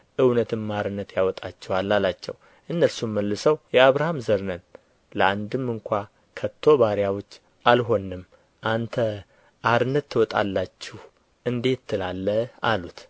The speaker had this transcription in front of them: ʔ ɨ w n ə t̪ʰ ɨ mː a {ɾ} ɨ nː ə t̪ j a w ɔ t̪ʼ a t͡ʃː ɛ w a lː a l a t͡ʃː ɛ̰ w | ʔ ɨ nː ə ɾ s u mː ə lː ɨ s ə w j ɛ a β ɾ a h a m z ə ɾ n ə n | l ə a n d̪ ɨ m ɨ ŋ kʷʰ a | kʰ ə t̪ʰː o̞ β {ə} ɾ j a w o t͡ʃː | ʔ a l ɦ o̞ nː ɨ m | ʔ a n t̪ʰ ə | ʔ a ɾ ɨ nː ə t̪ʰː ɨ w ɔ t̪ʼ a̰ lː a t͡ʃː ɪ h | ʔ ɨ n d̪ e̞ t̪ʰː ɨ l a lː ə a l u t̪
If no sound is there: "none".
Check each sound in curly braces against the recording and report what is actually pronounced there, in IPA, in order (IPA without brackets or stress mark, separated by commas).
ɾ, a